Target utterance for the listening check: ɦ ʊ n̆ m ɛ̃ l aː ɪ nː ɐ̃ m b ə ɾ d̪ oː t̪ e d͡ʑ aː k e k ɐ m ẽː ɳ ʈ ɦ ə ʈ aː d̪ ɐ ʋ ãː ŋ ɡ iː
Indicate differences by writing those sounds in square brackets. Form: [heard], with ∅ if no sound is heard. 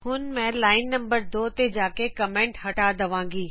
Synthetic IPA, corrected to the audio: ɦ ʊ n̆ m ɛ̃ l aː ɪ nː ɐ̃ m b ə ɾ d̪ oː t̪ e d͡ʑ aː k e k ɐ m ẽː ɳ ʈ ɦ [ɐ] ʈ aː d̪ ɐ ʋ ãː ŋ ɡ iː